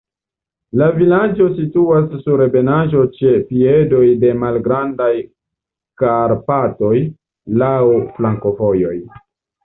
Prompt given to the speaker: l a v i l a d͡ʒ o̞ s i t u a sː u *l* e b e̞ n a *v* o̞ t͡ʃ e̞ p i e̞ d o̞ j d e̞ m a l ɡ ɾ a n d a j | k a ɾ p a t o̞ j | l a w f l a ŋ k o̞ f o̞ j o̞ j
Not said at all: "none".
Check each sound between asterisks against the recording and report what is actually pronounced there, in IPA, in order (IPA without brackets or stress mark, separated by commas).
ɾ, ʒ